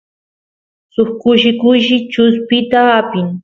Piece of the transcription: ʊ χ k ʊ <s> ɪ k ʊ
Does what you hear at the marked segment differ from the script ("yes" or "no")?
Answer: yes